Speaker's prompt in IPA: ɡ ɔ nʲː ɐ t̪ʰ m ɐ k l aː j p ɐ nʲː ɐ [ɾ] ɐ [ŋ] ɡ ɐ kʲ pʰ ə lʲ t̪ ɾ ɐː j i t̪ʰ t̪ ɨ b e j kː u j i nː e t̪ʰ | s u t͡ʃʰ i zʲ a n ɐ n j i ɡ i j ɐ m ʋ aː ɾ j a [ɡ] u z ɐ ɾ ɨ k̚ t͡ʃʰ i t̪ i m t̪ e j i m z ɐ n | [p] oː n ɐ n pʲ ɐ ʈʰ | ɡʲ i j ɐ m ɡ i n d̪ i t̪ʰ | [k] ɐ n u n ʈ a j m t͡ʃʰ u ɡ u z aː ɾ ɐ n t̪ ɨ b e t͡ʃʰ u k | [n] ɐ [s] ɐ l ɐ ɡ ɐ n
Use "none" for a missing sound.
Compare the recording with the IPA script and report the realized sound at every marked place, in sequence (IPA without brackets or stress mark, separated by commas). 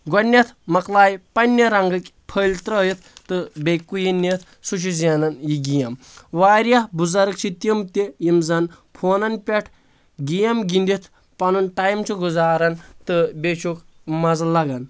ɾ, ŋ, b, pʰ, p, m, z